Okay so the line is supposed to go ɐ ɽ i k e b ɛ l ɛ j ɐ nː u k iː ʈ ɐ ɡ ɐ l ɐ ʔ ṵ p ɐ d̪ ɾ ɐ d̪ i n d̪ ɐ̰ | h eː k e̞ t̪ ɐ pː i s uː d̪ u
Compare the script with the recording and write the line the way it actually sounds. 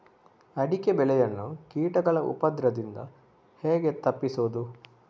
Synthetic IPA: ɐ ɽ i k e b ɛ l ɛ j ɐ nː u k iː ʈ ɐ ɡ ɐ ɭ ɐ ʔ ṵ p ɐ d̪ ɾ ɐ d̪ i n d̪ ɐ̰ | h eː ɡ e̞ t̪ ɐ pː i s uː d̪ u